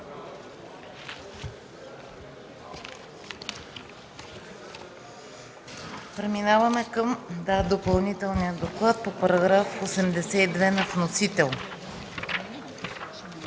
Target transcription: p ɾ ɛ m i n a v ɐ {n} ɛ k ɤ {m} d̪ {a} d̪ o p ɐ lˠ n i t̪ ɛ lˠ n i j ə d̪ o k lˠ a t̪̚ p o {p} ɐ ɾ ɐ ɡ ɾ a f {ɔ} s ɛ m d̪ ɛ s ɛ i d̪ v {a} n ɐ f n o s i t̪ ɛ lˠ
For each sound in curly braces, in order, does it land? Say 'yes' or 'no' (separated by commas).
no, yes, yes, yes, no, no